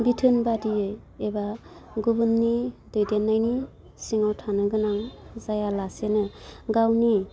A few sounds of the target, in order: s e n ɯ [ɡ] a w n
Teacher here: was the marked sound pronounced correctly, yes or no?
yes